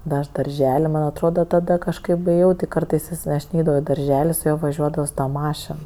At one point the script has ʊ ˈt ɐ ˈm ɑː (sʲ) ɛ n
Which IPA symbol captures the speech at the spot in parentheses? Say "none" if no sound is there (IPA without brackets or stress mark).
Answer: ʃʲ